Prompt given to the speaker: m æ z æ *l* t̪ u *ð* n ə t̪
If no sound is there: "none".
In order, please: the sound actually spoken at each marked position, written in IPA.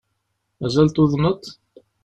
l, ð

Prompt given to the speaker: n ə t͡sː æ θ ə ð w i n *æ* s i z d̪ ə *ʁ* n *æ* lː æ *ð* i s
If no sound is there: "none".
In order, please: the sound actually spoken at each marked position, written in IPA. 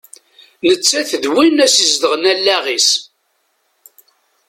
æ, ʁ, æ, ʁ

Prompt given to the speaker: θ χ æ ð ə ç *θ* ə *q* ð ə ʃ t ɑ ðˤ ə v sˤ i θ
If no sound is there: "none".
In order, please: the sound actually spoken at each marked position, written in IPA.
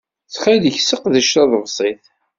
s, q

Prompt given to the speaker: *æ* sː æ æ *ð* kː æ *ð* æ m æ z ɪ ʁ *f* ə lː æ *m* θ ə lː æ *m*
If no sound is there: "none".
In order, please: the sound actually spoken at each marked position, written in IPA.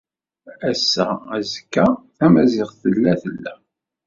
æ, z, θ, θ, none, none

